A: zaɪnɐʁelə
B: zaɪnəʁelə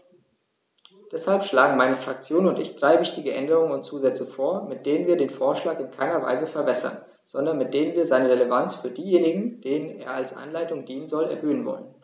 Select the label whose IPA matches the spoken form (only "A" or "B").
B